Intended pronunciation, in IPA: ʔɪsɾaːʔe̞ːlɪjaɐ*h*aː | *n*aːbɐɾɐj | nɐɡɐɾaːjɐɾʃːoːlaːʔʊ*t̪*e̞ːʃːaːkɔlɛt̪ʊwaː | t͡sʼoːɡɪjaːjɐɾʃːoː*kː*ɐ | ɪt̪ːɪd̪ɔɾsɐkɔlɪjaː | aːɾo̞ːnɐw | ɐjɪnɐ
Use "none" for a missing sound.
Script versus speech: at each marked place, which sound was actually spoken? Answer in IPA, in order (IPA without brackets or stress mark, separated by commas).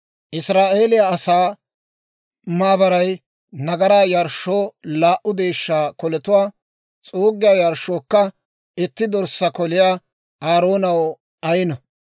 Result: s, m, d̪, kː